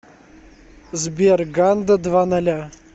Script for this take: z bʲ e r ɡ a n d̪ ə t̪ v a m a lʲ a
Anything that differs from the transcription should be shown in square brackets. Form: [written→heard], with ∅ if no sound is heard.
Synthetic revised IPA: z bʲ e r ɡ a n d̪ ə [t̪→d̪] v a [m→n] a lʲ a